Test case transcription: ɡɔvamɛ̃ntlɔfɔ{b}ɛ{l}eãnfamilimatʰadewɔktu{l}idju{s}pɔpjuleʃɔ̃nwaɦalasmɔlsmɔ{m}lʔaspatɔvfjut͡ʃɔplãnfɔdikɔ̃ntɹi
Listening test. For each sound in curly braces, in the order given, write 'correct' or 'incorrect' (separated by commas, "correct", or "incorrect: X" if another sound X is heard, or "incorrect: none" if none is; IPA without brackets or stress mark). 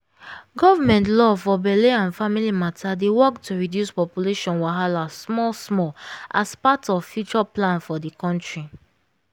correct, correct, incorrect: ɹ, correct, incorrect: none